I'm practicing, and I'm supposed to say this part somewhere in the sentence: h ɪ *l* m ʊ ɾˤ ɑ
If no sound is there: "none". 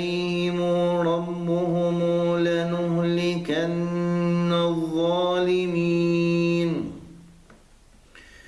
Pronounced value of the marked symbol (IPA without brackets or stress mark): none